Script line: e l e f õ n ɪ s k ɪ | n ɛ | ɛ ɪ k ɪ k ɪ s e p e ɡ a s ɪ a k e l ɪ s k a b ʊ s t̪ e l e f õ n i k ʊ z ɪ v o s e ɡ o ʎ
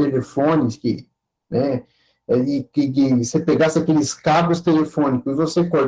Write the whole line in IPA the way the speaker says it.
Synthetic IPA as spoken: e l e f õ n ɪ s k ɪ | n ɛ | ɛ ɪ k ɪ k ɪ s e p e ɡ a s ɪ a k e l ɪ s k a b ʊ s t̪ e l e f õ n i k ʊ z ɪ v o s e k o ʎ